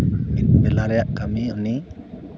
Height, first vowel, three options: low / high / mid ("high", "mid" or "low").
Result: high